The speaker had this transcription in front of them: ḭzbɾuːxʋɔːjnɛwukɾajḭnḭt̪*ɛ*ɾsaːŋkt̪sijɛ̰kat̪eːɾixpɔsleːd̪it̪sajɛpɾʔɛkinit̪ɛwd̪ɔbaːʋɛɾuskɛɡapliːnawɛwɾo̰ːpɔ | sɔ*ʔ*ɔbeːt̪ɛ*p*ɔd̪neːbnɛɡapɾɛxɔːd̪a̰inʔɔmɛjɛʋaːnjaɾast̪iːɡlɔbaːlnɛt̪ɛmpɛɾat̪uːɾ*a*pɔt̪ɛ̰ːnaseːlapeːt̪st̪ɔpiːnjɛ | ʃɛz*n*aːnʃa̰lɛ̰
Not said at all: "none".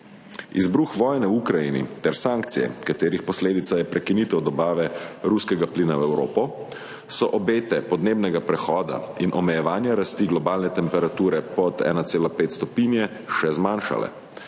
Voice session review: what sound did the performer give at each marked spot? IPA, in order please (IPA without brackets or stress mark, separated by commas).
ɛ, ʔ, p, ɛ, m